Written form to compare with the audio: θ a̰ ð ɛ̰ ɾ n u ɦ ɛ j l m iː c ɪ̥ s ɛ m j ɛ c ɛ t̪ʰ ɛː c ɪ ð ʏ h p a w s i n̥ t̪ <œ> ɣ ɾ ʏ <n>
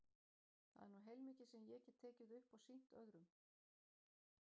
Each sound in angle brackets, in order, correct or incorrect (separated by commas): correct, incorrect